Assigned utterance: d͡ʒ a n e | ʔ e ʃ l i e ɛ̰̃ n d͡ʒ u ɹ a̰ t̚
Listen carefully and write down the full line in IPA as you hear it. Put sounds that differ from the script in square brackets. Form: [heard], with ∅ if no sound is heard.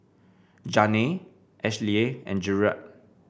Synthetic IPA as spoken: d͡ʒ a n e | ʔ [ɛ] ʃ l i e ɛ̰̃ n d͡ʒ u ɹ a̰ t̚